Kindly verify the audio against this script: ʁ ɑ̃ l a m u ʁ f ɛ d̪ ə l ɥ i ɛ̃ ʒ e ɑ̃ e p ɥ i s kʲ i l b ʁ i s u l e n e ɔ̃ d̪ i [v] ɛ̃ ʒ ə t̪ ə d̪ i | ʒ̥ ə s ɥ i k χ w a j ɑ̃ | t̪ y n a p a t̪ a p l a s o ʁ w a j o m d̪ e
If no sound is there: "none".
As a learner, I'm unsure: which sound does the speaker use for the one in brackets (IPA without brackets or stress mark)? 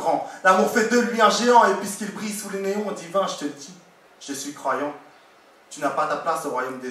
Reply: v